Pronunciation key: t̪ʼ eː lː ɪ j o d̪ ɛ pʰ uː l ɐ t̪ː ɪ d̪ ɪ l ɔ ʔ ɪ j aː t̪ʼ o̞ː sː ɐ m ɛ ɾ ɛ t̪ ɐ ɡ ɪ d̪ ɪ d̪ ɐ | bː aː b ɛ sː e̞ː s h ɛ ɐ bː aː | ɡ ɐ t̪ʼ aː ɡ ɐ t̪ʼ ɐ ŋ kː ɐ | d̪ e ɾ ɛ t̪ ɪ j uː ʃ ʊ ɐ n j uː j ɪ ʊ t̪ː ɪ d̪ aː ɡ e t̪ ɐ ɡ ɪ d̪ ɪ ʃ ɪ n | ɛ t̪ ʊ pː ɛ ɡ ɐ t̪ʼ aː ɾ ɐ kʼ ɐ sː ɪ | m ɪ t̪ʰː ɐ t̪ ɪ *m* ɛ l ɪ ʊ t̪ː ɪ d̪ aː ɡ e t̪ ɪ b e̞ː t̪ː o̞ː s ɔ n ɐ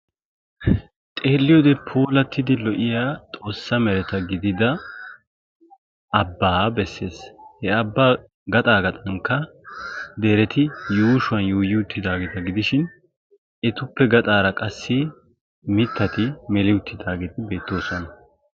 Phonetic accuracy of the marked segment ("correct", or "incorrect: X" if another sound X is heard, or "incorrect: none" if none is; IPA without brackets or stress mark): correct